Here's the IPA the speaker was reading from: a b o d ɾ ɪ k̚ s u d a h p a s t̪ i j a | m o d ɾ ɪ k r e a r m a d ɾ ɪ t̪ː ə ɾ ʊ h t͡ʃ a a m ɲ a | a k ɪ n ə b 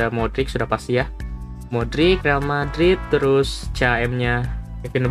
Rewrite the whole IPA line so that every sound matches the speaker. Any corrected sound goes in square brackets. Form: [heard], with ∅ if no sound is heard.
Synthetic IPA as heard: a [m] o d ɾ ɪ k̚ s u d a h p a s t̪ i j a | m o d ɾ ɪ k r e a [l] m a d ɾ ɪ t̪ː ə ɾ ʊ [s] t͡ʃ a [ɛ] m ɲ a | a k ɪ n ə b